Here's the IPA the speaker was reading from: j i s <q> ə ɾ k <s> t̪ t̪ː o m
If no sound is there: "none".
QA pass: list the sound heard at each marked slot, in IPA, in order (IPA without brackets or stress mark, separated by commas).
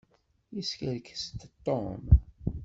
k, s